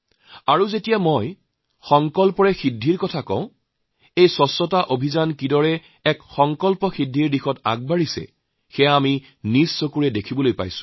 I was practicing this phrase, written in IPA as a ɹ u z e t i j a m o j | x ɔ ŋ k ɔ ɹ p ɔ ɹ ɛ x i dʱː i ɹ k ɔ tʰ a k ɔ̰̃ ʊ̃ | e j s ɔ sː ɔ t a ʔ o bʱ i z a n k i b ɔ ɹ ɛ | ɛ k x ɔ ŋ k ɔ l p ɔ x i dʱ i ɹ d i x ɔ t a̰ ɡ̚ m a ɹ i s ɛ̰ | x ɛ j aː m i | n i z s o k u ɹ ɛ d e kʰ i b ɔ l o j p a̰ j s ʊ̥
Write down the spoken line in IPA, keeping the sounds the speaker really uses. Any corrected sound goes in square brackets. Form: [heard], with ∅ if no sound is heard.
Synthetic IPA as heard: a ɹ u z e t i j a m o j | x ɔ ŋ k ɔ [l] p ɔ ɹ ɛ x i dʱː i ɹ k ɔ tʰ a k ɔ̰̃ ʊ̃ | e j s ɔ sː ɔ t a ʔ o bʱ i z a n k i [d] ɔ ɹ ɛ | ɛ k x ɔ ŋ k ɔ l p ɔ x i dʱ i ɹ d i x ɔ t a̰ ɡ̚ [b] a ɹ i s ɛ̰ | x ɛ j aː m i | n i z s o k u ɹ ɛ d e kʰ i b ɔ l o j p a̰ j s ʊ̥